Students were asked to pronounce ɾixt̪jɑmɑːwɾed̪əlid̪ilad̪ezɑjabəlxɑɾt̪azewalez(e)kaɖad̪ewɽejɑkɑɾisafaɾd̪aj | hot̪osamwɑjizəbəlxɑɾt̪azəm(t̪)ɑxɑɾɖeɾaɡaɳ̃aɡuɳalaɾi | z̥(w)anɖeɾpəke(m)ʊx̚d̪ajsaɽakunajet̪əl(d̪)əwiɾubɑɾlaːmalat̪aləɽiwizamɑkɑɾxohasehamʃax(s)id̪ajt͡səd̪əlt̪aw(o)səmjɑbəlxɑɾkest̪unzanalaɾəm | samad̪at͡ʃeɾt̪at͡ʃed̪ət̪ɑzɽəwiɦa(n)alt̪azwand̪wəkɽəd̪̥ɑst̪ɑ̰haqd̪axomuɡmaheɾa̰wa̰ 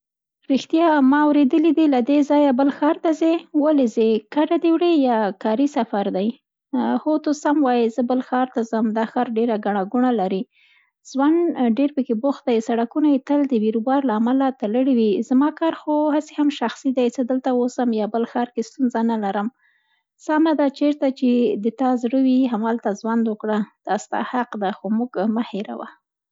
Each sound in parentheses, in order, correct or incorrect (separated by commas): correct, incorrect, correct, incorrect, correct, correct, correct, incorrect